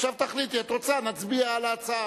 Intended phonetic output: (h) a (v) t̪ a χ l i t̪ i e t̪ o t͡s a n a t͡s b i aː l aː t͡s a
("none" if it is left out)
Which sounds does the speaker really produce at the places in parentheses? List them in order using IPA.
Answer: ʃ, v

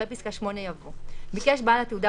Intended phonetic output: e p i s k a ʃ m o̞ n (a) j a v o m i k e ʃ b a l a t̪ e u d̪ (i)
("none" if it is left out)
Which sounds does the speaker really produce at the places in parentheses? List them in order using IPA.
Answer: e, a

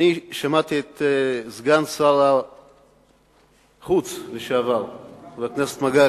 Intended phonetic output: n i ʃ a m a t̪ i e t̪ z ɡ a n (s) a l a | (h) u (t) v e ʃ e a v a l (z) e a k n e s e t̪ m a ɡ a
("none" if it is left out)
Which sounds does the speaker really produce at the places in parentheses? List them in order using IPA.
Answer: s, χ, t͡s, v

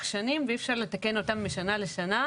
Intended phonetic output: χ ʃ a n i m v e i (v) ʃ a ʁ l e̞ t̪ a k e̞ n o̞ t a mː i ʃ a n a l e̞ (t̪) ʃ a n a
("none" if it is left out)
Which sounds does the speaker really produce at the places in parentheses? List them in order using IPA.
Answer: f, none

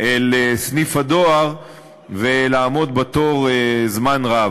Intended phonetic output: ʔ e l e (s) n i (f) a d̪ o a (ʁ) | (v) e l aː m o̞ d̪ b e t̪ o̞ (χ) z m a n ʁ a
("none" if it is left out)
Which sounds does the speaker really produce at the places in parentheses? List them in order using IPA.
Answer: s, f, ʁ, v, ʁ

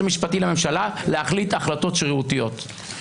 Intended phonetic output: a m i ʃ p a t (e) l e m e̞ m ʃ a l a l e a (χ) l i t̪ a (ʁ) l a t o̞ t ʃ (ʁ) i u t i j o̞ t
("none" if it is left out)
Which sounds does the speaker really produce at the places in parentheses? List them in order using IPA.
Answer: i, χ, χ, ʁ

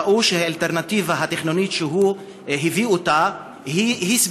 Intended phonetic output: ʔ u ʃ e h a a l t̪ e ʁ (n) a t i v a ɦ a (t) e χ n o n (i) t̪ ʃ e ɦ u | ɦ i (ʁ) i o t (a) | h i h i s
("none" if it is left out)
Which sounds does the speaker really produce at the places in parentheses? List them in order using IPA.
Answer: n, t, i, v, a

